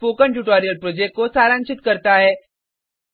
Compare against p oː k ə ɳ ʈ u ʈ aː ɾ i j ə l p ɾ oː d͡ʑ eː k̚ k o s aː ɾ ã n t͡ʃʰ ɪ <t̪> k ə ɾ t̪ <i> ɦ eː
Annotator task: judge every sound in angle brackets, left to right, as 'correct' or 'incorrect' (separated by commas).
correct, incorrect